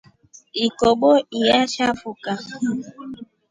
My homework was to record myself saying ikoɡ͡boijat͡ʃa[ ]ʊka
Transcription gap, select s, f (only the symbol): f